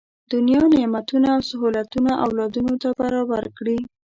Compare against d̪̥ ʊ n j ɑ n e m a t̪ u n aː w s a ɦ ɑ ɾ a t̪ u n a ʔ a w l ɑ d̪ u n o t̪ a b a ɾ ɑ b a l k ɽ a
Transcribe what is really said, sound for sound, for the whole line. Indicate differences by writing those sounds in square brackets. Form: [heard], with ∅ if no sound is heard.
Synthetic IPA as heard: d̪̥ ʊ n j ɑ n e m a t̪ u n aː w s a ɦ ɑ [l] a t̪ u n a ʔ a w l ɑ d̪ u n o t̪ a b a ɾ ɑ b a [ɾ] k ɽ [i]